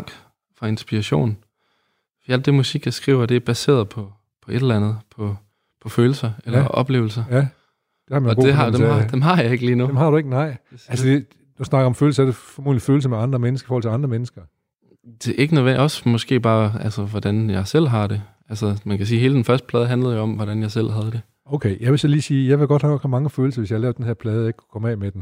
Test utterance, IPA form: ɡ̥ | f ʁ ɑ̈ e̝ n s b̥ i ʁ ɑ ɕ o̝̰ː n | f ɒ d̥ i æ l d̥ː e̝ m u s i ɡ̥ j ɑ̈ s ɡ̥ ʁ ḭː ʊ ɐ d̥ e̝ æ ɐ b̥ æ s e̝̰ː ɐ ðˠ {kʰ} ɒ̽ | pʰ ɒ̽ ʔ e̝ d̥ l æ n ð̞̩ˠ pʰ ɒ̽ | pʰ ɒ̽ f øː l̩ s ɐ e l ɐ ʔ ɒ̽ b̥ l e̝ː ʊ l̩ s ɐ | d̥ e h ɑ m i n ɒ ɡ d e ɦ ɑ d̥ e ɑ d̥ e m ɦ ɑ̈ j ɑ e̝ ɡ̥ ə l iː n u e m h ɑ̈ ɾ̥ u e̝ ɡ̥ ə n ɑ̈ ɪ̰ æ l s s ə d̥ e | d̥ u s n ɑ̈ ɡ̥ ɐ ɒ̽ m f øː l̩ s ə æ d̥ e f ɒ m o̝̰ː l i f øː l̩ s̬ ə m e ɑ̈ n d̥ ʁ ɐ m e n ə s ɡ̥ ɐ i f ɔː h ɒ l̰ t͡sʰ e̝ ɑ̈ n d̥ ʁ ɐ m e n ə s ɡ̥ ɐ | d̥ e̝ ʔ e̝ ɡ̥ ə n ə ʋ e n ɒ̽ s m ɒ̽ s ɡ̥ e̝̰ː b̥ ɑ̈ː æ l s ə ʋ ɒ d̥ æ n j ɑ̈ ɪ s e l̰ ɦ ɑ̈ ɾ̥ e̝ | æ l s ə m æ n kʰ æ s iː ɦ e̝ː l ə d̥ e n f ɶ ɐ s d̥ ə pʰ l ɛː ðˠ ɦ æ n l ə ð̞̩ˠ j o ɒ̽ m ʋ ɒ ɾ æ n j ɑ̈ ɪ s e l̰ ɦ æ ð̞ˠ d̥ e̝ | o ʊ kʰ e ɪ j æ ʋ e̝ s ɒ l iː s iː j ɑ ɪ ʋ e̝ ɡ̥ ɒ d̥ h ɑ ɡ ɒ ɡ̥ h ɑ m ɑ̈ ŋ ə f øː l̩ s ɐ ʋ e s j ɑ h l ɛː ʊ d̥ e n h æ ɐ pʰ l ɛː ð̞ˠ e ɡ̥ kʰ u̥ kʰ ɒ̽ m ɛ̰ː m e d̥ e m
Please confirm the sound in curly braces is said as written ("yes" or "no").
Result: no